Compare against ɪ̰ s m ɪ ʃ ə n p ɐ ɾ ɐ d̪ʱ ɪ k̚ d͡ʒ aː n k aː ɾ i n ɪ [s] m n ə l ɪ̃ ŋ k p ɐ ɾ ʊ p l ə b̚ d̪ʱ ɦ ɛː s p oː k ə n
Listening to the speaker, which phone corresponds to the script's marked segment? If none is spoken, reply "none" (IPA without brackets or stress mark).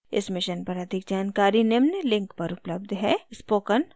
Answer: none